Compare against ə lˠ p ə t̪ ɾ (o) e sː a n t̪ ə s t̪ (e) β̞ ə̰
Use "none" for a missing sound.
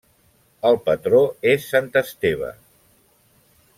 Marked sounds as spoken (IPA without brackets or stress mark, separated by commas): o, e